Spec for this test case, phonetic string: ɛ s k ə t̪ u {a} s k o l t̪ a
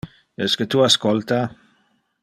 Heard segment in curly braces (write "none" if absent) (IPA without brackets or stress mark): a